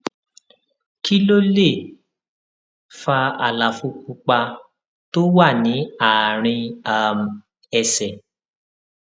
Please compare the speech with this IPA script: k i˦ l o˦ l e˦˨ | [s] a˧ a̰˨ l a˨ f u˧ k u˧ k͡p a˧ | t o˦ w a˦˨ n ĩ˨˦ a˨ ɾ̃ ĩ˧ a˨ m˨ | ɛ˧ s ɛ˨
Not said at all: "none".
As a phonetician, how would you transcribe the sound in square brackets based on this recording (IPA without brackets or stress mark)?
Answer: f